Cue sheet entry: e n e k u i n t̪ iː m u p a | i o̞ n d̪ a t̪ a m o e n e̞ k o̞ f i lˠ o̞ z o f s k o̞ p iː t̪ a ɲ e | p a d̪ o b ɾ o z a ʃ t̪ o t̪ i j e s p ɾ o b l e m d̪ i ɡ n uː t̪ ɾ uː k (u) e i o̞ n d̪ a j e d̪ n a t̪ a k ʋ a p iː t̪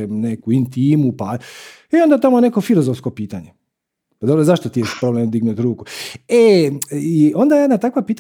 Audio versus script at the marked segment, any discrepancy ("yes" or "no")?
no